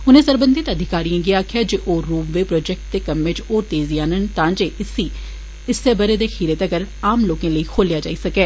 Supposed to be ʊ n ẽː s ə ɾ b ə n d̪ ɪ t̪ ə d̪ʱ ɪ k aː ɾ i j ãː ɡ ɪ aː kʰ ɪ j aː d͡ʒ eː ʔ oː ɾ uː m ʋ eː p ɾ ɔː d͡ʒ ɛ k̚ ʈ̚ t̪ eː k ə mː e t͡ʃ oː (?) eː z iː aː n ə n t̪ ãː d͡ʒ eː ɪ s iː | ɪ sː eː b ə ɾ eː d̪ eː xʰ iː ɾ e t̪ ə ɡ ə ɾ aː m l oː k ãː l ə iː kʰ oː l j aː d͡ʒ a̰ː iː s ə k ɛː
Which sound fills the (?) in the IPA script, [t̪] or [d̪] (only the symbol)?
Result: t̪